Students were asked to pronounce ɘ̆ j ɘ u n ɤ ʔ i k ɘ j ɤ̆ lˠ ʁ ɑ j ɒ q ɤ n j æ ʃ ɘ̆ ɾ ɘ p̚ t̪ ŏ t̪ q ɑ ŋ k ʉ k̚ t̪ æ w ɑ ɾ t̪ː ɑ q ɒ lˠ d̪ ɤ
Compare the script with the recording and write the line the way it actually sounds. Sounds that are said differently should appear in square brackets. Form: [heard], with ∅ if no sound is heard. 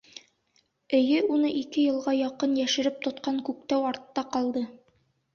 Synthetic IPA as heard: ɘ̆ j ɘ u n ɤ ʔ i k ɘ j ɤ̆ lˠ ʁ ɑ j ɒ q ɤ n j æ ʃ ɘ̆ ɾ ɘ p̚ t̪ ŏ t̪ q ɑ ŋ k ʉ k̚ t̪ æ w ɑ ɾ t̪ː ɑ q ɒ lˠ d̪ ɤ